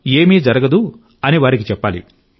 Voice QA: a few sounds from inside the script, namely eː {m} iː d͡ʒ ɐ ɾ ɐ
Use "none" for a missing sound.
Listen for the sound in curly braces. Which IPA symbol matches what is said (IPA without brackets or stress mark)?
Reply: m